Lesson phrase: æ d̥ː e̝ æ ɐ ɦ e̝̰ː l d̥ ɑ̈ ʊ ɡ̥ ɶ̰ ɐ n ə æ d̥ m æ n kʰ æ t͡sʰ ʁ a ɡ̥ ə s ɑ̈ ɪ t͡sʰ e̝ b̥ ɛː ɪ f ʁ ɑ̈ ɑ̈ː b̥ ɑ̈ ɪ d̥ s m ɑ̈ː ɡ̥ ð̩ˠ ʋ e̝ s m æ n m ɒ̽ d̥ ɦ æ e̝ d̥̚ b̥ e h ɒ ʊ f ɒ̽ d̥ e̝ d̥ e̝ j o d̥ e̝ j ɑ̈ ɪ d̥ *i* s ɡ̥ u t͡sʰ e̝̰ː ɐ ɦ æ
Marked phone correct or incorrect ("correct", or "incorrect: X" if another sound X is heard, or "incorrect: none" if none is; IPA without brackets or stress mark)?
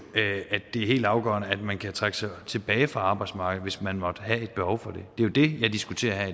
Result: correct